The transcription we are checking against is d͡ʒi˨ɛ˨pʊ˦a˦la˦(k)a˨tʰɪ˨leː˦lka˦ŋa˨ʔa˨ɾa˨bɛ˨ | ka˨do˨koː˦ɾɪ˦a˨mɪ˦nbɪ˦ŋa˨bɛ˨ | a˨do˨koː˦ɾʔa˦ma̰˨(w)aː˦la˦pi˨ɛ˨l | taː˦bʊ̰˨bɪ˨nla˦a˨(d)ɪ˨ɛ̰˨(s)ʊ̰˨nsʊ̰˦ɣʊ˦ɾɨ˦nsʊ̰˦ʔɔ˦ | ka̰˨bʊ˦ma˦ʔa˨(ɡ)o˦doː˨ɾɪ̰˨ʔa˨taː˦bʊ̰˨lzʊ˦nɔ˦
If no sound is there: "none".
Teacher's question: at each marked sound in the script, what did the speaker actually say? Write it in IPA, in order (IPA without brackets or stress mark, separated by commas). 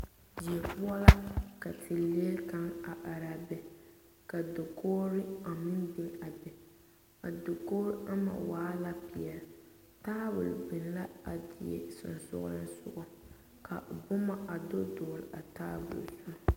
k, w, d, s, d